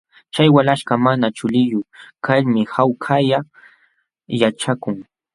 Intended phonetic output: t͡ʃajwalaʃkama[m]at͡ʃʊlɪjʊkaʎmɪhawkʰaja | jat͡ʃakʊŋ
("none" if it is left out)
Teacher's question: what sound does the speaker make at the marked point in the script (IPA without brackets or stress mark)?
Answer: n